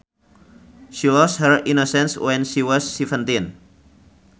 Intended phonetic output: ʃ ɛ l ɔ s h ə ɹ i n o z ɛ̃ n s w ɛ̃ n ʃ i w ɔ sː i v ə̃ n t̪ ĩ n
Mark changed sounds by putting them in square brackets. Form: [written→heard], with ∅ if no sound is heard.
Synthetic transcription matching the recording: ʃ [ɛ→i] l ɔ s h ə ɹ i n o [z→s] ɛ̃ n s w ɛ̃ n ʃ i w ɔ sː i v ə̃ n t̪ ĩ n